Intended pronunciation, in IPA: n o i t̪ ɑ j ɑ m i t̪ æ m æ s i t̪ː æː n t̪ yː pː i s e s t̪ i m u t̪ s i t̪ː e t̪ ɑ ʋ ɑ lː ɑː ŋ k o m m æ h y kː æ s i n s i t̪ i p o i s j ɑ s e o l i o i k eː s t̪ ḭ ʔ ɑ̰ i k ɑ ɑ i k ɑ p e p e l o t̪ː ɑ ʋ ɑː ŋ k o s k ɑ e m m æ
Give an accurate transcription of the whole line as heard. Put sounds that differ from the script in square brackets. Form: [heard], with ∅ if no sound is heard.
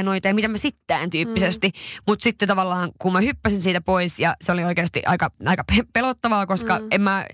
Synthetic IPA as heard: n o i t̪ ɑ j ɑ m i t̪ æ m æ s i t̪ː æː n t̪ yː pː i s e s t̪ i m u t̪ s i t̪ː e t̪ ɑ ʋ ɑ lː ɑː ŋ k [u] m m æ h y [pː] æ s i n s [iː] t̪ [æ] p o i s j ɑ s e o l i o i k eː s t̪ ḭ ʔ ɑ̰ i k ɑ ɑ i k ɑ p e p e l o t̪ː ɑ ʋ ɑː [∅] k o s k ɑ e m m æ